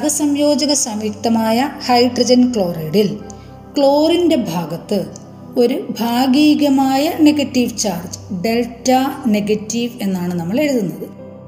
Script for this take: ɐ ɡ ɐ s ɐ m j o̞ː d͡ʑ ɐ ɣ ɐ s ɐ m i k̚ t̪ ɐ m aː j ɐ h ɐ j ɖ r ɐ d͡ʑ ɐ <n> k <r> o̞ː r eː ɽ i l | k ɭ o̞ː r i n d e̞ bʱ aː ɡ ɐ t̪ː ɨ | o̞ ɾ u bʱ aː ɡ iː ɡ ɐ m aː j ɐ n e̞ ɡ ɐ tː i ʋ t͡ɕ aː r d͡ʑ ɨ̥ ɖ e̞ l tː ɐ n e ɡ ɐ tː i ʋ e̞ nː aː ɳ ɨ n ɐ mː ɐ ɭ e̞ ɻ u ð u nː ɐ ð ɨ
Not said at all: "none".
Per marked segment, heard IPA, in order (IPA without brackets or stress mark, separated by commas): n, ɭ